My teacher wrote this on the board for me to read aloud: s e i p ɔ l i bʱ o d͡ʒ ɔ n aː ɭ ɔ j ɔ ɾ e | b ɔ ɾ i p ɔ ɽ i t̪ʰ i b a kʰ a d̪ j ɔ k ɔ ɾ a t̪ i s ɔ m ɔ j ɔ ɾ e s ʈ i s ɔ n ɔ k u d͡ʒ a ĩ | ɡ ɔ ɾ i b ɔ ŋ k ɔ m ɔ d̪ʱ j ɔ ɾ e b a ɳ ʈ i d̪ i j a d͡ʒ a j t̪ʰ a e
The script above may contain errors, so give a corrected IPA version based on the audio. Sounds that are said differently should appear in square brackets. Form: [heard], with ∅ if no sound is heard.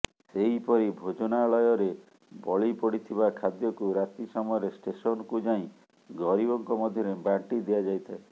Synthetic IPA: s e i p ɔ [ɾ] i bʱ o d͡ʒ ɔ n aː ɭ ɔ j ɔ ɾ e | b ɔ [ɭ] i p ɔ ɽ i t̪ʰ i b a kʰ a d̪ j ɔ k [u] ɾ a t̪ i s ɔ m ɔ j ɔ ɾ e s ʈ [e] s ɔ n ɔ k u d͡ʒ a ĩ | ɡ ɔ ɾ i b ɔ ŋ k ɔ m ɔ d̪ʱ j ɔ ɾ e b a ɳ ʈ i d̪ i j a d͡ʒ a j t̪ʰ a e